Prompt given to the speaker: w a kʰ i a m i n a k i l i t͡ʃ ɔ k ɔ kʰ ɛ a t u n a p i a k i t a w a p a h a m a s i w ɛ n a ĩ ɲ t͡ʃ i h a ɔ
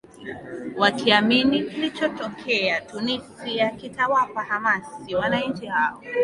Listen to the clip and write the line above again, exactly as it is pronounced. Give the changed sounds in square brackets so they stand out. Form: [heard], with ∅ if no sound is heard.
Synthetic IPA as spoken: w a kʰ i a m i n [i] k i l i t͡ʃ ɔ [t] ɔ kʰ ɛ a t u n [i] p i a k i t a w a p a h a m a s i w [a] n a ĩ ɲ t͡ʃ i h a ɔ

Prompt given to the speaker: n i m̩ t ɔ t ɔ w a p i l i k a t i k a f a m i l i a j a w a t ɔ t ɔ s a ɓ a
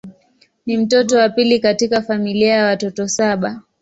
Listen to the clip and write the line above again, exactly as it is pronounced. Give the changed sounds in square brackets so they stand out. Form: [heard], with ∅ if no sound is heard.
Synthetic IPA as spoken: n i m̩ t ɔ t ɔ w a p i l i k a t i k a f a m i l i a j a w a t ɔ t ɔ s a ɓ a

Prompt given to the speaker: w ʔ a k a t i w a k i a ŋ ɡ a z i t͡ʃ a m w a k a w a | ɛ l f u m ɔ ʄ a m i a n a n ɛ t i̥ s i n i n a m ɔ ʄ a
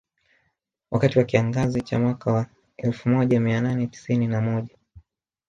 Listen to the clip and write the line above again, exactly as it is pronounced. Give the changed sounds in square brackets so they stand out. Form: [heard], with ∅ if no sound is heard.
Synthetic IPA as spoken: w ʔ a k a t i w a k i a ŋ ɡ a z i t͡ʃ a m w a k a w a | ɛ l f u m ɔ ʄ a m i a n a n ɛ t i̥ s i n i n a m ɔ ʄ a

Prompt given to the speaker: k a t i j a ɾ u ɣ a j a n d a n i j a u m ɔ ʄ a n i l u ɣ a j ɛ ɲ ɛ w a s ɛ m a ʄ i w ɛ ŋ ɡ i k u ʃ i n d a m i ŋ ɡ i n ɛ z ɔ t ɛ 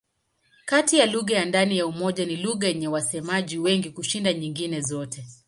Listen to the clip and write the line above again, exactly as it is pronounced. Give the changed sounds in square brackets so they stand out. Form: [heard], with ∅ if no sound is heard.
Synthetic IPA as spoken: k a t i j a [l] u ɣ a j a n d a n i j a u m ɔ ʄ a n i l u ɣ a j ɛ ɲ ɛ w a s ɛ m a ʄ i w ɛ ŋ ɡ i k u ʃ i n d a [ɲ] i ŋ ɡ i n ɛ z ɔ t ɛ

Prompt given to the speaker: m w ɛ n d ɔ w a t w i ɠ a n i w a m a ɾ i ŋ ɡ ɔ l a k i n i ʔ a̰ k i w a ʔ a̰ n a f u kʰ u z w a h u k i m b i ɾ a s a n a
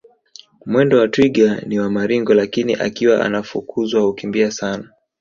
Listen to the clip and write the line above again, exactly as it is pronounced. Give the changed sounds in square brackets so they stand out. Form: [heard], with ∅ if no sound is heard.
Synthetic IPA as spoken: m w ɛ n d ɔ w a t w i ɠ a n i w a m a ɾ i ŋ ɡ ɔ l a k i n i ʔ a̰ k i w a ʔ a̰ n a f u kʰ u z w a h u k i m b i [∅] a s a n a

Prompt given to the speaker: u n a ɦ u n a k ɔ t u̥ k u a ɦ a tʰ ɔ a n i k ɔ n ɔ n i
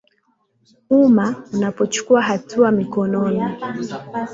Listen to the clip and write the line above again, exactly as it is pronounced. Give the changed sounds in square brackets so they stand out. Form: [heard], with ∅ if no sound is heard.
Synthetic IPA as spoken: u [m] a [∅] u n a [p] ɔ [t͡ʃ] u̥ k u a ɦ a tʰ [u] a [m] i k ɔ n ɔ n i

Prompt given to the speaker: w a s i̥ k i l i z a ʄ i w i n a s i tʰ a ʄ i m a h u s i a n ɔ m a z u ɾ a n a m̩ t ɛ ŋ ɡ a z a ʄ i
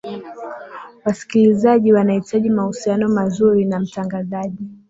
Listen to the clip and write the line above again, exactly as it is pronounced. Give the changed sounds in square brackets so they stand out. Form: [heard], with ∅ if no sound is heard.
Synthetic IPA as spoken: w a s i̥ k i l i z a ʄ i w [a] n a [h] i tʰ a ʄ i m a h u s i a n ɔ m a z u ɾ [i] n a m̩ t [a] ŋ ɡ a z a ʄ i

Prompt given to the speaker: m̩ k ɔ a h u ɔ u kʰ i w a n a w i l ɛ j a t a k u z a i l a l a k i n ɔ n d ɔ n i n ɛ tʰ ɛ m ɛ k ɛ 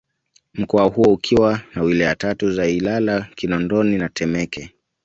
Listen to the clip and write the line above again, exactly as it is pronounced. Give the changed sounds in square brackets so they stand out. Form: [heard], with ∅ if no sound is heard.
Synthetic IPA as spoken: m̩ k ɔ a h u ɔ u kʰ i w a n a w i l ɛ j a t a [t] u z a i l a l a k i n ɔ n d ɔ n i n [a] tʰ ɛ m ɛ k ɛ

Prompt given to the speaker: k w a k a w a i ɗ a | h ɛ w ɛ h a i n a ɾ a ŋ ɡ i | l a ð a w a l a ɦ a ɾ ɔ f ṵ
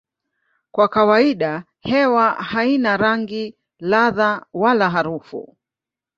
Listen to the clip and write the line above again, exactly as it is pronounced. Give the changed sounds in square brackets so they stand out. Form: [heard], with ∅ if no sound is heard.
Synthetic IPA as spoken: k w a k a w a i ɗ a | h ɛ w [a] h a i n a ɾ a ŋ ɡ i | l a ð a w a l a ɦ a ɾ [u] f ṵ

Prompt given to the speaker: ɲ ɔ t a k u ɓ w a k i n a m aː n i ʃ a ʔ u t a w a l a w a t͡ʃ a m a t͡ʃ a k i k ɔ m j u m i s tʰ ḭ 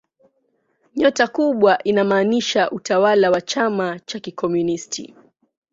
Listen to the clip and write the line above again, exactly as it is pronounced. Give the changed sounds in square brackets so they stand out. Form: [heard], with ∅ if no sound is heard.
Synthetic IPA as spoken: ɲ ɔ t a k u ɓ w a [ʔ] i n a m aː n i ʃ a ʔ u t a w a l a w a t͡ʃ a m a t͡ʃ a k i k ɔ m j u [n] i s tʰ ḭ

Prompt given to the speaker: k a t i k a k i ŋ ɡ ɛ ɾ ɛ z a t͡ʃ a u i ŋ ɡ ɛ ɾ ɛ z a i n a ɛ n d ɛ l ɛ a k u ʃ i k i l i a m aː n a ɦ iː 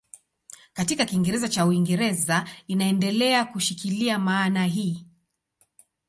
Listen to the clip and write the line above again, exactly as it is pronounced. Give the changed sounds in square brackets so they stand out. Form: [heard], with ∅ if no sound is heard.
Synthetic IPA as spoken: k a t i k a k i ŋ ɡ ɛ ɾ ɛ z a t͡ʃ a u i ŋ ɡ ɛ ɾ ɛ z a i n a ɛ n d ɛ l ɛ a k u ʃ i k i l i a m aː n a ɦ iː

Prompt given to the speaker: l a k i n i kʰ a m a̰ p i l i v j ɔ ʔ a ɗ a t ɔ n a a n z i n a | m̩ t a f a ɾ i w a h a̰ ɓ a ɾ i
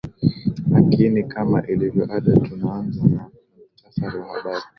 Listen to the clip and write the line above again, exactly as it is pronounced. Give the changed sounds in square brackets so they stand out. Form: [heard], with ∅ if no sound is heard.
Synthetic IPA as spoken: l a k i n i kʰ a m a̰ [ʔ] i l i v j ɔ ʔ a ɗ a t [u] n a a n z [a] n a | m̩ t a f a ɾ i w a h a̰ ɓ a ɾ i

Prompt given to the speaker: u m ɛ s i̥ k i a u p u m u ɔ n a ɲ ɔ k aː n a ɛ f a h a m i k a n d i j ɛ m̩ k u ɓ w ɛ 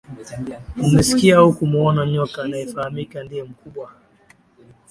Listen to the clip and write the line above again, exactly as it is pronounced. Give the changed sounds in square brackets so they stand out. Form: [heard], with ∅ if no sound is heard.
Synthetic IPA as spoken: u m ɛ s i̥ k i a u [k] u m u ɔ n a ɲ ɔ k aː n a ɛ f a h a m i k a n d i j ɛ m̩ k u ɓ w [a]

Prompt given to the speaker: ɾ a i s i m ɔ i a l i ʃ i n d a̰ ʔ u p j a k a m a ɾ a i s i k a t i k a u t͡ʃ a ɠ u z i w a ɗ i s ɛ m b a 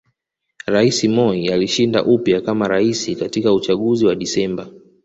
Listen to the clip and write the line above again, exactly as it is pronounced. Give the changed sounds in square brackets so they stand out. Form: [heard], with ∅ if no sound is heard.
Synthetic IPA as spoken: ɾ a i s i m ɔ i a l i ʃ i n d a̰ ʔ u p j a k a m a ɾ a i s i k a t i k a u t͡ʃ a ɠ u z i w a ɗ i s ɛ m b a

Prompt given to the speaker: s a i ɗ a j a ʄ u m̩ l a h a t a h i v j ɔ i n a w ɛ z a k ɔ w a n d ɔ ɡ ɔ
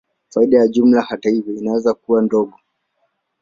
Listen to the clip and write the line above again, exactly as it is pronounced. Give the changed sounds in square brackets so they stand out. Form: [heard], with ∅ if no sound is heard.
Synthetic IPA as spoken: [f] a i ɗ a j a ʄ u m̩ l a h a t a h i v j ɔ i n a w ɛ z a k [u] w a n d ɔ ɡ ɔ

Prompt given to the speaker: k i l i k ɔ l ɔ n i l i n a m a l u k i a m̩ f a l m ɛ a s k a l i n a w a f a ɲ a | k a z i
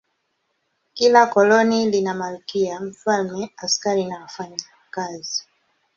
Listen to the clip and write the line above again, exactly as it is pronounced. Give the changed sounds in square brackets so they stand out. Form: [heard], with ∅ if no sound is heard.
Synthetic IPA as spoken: k i l [a] k ɔ l ɔ n i l i n a m a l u k i a m̩ f a l m ɛ a s k a [ɾ] i n a w a f a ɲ a | k a z i

